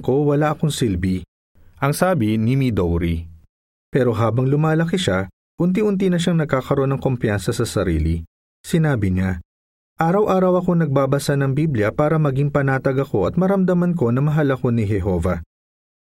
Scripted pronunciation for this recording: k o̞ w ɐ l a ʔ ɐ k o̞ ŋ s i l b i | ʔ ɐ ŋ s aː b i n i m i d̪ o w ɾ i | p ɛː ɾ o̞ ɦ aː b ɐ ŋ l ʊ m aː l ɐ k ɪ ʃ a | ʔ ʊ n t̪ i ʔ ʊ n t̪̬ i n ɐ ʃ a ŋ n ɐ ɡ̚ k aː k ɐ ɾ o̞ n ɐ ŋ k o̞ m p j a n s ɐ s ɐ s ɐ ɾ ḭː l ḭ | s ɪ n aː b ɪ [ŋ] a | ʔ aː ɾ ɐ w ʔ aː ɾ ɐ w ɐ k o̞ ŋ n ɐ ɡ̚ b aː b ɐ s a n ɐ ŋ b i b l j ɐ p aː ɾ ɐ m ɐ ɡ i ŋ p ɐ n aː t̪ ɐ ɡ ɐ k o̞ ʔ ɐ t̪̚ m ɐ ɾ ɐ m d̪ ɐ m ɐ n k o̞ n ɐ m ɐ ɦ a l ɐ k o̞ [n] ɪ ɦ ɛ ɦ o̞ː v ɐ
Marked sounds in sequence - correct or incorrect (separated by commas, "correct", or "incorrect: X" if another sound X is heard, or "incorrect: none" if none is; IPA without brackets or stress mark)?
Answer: incorrect: ɲ, correct